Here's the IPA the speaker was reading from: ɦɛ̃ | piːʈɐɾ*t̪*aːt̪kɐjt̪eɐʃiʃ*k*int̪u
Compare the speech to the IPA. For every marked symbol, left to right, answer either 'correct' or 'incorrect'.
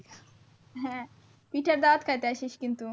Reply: incorrect: d̪, correct

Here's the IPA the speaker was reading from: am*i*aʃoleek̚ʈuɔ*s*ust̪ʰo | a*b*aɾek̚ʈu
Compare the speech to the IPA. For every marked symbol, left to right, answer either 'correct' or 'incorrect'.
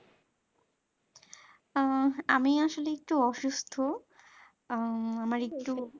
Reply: correct, incorrect: ʃ, incorrect: m

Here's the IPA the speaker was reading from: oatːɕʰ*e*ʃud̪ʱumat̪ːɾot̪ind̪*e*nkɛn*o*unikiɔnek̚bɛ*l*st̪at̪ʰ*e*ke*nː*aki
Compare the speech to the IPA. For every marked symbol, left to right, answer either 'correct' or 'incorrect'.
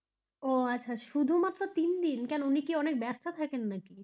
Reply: incorrect: a, incorrect: i, correct, incorrect: ɾ, incorrect: a, correct

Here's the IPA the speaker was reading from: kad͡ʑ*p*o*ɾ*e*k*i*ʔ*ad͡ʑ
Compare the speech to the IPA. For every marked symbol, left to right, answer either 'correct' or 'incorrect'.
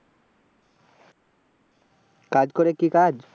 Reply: incorrect: k, correct, correct, incorrect: k

